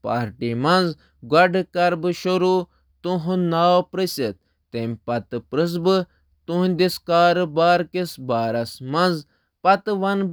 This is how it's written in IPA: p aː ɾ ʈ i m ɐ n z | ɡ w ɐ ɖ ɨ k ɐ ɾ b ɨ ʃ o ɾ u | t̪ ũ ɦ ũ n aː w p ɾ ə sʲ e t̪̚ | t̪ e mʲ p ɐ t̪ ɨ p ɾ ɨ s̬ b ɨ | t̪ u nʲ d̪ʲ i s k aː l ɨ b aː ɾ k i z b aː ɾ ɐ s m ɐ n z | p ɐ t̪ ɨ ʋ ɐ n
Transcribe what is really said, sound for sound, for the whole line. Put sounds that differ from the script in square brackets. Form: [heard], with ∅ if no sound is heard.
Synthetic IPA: p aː ɾ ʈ i m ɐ n z | ɡ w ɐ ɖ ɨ k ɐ ɾ b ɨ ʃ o ɾ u | t̪ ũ ɦ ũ n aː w p ɾ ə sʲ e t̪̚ | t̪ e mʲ p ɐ t̪ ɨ p ɾ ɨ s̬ b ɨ | t̪ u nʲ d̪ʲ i s k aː [ɾ] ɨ b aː ɾ k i [s] b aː ɾ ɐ s m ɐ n z | p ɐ t̪ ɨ ʋ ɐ n